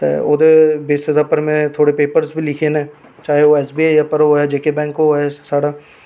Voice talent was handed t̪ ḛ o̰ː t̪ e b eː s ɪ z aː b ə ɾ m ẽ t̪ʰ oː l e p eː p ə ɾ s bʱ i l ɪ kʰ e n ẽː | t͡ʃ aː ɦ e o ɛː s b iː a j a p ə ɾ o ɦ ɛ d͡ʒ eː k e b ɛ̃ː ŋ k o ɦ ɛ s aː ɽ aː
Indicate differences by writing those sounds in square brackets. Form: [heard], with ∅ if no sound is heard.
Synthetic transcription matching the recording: t̪ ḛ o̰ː [d̪] e b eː s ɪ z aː [p] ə ɾ m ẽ t̪ʰ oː [ɽ] e p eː p ə ɾ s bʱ i l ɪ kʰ e n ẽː | t͡ʃ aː ɦ e o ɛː s b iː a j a p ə ɾ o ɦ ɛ d͡ʒ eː k e b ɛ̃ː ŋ k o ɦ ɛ s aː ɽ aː